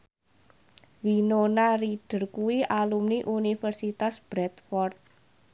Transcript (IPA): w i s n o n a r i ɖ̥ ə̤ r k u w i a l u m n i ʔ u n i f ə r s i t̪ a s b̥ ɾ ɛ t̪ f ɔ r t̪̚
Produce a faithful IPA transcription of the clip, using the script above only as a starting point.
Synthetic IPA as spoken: w i n o n a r i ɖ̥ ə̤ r k u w i a l u m n i ʔ u n i f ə r s i t̪ a s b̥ ɾ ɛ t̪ f ɔ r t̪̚